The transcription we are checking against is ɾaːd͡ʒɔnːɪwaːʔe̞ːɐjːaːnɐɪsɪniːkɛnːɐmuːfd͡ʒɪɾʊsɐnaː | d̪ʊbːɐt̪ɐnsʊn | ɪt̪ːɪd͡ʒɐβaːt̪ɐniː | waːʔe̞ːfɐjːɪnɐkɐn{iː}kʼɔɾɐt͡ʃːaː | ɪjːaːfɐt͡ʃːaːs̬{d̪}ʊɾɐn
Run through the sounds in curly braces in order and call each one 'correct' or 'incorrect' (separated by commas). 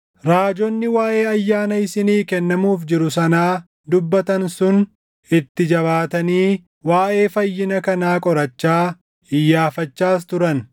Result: incorrect, incorrect